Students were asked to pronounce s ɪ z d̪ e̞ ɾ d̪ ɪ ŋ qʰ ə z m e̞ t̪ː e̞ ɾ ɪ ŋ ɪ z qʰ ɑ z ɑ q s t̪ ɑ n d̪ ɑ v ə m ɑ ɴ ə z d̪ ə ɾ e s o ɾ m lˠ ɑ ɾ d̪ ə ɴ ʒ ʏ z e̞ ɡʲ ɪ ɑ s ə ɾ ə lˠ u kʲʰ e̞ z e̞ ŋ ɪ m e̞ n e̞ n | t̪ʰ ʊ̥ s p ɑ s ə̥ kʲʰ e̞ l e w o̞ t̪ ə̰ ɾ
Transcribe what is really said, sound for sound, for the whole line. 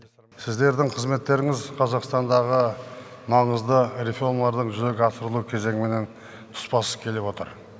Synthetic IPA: s ɪ z d̪ e̞ ɾ d̪ ɪ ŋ qʰ ə z m e̞ t̪ː e̞ ɾ ɪ ŋ ɪ z qʰ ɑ z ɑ q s t̪ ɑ n d̪ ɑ ʁ ə m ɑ ɴ ə z d̪ ə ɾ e f o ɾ m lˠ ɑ ɾ d̪ ə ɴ ʒ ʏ z e̞ ɡʲ ɪ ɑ s ə ɾ ə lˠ u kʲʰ e̞ z e̞ ŋ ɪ m e̞ n e̞ n | t̪ʰ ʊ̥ s p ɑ s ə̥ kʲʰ e̞ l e w o̞ t̪ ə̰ ɾ

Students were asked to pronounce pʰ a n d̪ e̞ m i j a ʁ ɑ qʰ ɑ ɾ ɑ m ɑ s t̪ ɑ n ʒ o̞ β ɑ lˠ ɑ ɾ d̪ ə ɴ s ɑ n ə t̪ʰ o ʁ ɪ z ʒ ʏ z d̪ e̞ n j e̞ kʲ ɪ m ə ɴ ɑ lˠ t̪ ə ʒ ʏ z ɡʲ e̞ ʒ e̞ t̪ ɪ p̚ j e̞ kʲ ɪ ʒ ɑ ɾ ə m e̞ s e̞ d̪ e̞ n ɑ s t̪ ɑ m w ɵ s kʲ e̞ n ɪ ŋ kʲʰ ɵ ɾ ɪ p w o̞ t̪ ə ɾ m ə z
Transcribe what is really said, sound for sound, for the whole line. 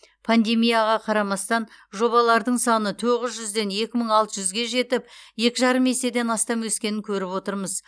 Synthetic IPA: pʰ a n d̪ e̞ m i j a ʁ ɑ qʰ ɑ ɾ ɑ m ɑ s t̪ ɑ n ʒ o̞ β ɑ lˠ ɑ ɾ d̪ ə ɴ s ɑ n ə t̪ʰ o ʁ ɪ z ʒ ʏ z d̪ e̞ n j e̞ kʲ ɪ m ə ɴ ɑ lˠ t̪ ə ʒ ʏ z ɡʲ e̞ ʒ e̞ t̪ ɪ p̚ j e̞ kʲ ɪ ʒ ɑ ɾ ə m e̞ s e̞ d̪ e̞ n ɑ s t̪ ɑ m w ɵ s kʲ e̞ n ɪ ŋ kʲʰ ɵ ɾ ɪ p w o̞ t̪ ə ɾ m ə z

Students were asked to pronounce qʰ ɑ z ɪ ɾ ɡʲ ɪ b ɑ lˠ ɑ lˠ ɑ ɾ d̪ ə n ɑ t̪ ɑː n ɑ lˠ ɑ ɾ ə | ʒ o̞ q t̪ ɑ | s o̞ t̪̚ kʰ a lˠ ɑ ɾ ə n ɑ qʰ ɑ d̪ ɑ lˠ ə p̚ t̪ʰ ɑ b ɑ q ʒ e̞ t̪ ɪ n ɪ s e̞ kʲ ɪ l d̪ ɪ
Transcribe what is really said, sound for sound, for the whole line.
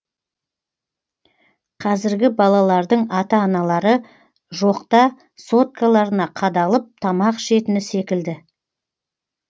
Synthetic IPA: qʰ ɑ z ɪ ɾ ɡʲ ɪ b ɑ lˠ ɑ lˠ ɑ ɾ d̪ ə ɴ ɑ t̪ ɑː n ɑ lˠ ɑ ɾ ə | ʒ o̞ q t̪ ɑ | s o̞ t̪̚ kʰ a lˠ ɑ ɾ ə n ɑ qʰ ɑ d̪ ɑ lˠ ə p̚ t̪ʰ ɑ m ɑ q ʃ e̞ t̪ ɪ n ɪ s e̞ kʲ ɪ l d̪ ɪ

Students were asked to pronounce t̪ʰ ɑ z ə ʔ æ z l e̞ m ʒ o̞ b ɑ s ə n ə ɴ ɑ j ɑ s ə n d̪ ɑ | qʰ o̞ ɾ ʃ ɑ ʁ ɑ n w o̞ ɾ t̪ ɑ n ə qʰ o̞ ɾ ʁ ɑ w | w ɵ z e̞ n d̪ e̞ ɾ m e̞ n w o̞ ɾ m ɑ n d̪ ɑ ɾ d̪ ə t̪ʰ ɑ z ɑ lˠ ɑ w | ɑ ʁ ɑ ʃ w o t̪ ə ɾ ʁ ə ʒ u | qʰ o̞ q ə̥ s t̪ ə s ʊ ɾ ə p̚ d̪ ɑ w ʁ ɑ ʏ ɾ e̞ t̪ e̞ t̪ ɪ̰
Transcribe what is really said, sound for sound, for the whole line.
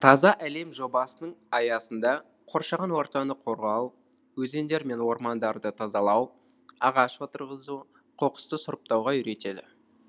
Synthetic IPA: t̪ʰ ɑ z ɑ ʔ æ l e̞ m ʒ o̞ b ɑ s ə n ə ɴ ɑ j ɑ s ə n d̪ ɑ | qʰ o̞ ɾ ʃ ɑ ʁ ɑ n w o̞ ɾ t̪ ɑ n ə qʰ o̞ ɾ ʁ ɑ w | w ɵ z e̞ n d̪ e̞ ɾ m e̞ n w o̞ ɾ m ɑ n d̪ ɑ ɾ d̪ ə t̪ʰ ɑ z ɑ lˠ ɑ w | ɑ ʁ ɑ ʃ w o t̪ ə ɾ ʁ ə z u | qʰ o̞ q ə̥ s t̪ ə s ʊ ɾ ə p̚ t̪ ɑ w ʁ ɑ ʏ ɾ e̞ t̪ e̞ d̪ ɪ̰

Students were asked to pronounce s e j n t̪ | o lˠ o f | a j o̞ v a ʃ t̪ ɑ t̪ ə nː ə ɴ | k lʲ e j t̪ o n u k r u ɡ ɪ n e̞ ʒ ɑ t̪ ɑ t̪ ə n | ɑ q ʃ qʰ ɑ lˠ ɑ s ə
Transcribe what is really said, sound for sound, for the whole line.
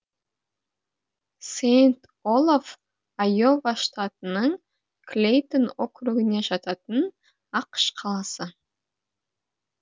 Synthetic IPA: s e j n t̪ | o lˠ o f | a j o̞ v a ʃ t̪ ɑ t̪ ə n ə ɴ | k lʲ e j t̪ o n o k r u ɡ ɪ n e̞ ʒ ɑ t̪ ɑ t̪ ə n | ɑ q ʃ qʰ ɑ lˠ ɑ s ə

